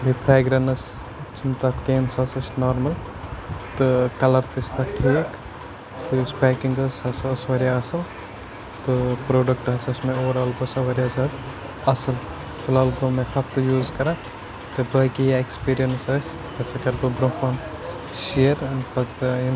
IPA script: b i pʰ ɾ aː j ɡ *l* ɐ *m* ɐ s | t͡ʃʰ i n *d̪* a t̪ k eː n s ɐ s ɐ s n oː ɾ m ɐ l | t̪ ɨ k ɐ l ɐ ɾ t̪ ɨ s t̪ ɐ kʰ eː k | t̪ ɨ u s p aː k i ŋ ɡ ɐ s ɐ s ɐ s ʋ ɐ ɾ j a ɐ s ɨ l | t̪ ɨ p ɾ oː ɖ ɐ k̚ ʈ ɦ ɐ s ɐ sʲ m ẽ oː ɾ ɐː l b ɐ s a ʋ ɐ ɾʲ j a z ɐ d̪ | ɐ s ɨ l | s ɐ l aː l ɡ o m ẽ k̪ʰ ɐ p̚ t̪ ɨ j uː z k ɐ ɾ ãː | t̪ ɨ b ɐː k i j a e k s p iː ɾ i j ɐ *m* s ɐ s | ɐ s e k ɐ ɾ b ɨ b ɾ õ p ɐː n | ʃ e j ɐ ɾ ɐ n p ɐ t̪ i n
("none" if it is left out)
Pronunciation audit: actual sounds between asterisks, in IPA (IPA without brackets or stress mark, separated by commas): ɾ, n, t̪, n